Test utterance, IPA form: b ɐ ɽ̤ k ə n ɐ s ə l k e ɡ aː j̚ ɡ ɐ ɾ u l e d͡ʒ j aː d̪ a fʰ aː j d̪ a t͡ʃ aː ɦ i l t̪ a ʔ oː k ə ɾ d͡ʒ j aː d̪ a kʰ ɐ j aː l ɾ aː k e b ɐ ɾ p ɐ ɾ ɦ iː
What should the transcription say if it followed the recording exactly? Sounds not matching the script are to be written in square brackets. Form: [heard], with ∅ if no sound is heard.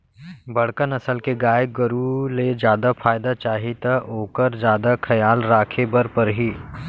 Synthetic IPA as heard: b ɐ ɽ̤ k ə n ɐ s ə l k e ɡ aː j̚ ɡ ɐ ɾ u l e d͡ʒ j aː d̪ a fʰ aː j d̪ a t͡ʃ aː ɦ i [∅] t̪ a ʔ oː k ə ɾ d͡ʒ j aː d̪ a kʰ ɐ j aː l ɾ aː [kʰ] e b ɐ ɾ p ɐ ɾ ɦ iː